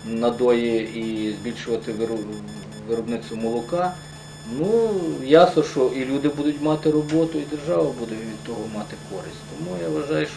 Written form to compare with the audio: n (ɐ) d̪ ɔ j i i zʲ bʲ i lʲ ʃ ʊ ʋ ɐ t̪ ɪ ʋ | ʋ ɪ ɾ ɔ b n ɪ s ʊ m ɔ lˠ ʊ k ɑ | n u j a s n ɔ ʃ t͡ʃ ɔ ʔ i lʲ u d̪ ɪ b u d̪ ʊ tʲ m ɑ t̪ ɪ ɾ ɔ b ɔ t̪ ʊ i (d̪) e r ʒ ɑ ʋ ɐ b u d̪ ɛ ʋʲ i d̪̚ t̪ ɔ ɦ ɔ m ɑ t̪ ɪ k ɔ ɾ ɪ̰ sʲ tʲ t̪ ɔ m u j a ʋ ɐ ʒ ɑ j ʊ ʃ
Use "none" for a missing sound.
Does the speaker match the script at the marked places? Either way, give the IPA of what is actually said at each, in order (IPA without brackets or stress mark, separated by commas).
ɐ, d̪